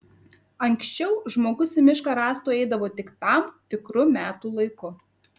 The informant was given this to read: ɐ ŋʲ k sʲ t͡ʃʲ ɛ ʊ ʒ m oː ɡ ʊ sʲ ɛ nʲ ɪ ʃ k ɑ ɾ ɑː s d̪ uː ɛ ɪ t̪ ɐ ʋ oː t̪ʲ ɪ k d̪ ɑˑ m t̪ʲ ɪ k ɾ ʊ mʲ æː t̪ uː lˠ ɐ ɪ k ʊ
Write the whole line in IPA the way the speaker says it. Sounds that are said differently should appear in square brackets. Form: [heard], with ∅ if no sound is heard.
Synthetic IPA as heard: ɐ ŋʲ k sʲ t͡ʃʲ ɛ ʊ ʒ m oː ɡ ʊ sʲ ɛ [mʲ] ɪ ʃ k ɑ ɾ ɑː s [t̪] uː ɛ ɪ [d̪] ɐ ʋ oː t̪ʲ ɪ k [t̪] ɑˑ m t̪ʲ ɪ k ɾ ʊ mʲ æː t̪ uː lˠ ɐ ɪ k ʊ